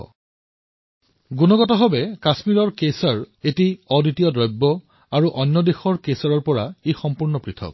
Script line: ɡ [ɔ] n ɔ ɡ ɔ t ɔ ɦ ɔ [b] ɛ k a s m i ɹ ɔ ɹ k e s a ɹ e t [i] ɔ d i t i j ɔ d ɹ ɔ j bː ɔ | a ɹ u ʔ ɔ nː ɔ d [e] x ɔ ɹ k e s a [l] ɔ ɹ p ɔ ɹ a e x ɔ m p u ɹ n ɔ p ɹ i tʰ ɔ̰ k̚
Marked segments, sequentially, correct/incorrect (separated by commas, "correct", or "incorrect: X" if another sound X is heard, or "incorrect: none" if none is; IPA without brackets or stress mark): incorrect: u, correct, correct, correct, incorrect: ɹ